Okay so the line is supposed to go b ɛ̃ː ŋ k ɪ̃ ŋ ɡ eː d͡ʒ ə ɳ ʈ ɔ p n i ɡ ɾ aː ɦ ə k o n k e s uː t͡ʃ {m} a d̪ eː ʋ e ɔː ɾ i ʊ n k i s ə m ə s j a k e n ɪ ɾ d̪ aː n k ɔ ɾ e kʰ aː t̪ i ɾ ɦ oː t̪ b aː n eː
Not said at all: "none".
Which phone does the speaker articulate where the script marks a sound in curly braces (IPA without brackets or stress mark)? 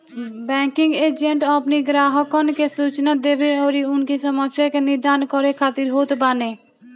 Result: n